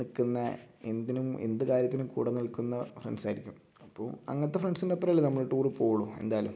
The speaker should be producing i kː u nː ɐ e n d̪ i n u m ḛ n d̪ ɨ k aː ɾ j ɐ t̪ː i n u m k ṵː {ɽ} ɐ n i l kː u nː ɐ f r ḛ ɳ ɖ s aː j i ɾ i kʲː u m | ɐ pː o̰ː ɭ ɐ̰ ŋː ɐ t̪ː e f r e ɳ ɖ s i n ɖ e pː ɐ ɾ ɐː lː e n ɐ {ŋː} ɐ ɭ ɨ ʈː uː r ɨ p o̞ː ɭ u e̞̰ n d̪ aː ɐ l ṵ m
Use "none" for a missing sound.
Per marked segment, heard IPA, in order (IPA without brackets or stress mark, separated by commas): ɽ, mː